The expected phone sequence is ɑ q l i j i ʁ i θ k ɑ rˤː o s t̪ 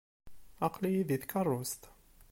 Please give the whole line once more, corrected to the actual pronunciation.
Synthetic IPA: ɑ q l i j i ð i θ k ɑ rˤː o s t̪